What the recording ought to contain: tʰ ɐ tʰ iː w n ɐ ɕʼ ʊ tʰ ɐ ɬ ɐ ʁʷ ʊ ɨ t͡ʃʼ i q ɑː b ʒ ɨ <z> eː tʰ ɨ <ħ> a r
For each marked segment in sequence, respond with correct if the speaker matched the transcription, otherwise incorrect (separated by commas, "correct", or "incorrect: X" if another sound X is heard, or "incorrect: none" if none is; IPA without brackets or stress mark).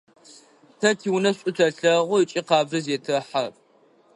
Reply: correct, correct